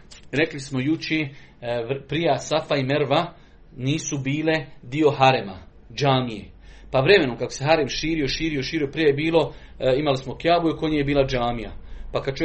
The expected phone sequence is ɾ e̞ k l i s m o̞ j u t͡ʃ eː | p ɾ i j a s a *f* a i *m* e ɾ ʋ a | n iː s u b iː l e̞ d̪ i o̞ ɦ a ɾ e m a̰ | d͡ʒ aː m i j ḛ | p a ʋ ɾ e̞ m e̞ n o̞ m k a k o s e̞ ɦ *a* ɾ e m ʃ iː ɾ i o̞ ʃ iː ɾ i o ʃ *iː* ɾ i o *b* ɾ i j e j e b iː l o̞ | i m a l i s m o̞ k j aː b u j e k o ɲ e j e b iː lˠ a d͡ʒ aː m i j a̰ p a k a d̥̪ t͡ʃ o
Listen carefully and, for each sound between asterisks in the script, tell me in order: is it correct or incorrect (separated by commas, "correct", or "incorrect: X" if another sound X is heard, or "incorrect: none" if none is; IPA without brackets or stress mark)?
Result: correct, correct, correct, correct, incorrect: p